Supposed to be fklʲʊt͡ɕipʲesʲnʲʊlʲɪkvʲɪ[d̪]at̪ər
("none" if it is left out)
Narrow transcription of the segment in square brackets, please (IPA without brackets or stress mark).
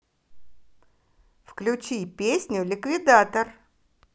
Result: d̪